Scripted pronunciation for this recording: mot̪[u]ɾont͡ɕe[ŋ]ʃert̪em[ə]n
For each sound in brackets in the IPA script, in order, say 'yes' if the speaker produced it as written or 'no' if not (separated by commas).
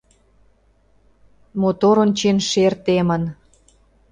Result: no, no, yes